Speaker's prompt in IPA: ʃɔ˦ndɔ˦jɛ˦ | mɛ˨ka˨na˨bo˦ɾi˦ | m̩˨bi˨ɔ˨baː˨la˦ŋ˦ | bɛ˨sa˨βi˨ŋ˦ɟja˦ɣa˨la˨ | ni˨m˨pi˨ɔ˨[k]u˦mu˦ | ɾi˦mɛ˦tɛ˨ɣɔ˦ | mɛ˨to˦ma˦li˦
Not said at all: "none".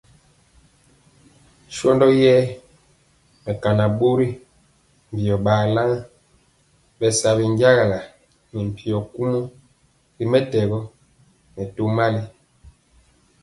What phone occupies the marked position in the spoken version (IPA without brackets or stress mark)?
k